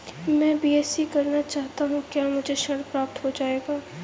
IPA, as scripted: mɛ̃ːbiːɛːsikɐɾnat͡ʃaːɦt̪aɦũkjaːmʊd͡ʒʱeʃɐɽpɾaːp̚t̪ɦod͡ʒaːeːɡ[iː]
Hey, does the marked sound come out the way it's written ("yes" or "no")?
no